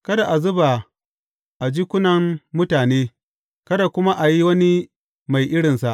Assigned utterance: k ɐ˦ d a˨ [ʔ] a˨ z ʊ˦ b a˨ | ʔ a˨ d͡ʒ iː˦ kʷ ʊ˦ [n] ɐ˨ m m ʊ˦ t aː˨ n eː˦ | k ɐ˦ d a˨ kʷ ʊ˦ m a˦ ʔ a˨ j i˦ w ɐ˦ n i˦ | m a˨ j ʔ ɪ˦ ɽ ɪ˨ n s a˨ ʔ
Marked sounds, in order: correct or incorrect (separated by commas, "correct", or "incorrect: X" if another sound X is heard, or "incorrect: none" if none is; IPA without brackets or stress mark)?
correct, correct